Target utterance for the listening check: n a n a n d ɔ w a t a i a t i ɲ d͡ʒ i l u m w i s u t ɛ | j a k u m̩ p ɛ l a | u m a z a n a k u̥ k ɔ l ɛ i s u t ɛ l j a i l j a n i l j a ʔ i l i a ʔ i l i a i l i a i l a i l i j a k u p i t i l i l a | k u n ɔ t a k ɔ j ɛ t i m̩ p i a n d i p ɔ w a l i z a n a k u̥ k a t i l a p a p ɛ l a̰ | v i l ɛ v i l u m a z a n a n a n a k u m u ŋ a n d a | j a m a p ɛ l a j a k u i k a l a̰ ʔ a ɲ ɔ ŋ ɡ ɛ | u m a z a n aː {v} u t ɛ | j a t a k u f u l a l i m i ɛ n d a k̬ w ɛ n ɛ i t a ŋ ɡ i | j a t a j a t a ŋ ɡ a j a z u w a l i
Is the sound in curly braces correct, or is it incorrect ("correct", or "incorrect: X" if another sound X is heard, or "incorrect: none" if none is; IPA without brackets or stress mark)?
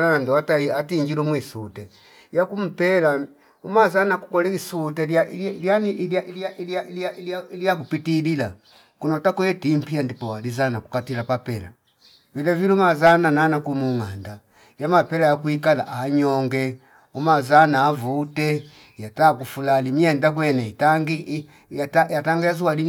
correct